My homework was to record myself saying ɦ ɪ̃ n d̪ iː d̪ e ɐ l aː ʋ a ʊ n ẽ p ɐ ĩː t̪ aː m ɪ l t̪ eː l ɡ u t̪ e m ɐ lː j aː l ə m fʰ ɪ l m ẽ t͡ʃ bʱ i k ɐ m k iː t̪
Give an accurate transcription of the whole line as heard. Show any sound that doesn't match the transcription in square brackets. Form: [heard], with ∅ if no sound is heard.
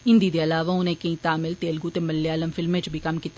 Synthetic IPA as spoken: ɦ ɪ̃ n d̪ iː d̪ e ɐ l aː ʋ a ʊ n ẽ [k] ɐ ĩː t̪ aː m ɪ l t̪ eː l ɡ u t̪ e m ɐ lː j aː l ə m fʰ ɪ l m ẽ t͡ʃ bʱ i k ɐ m k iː t̪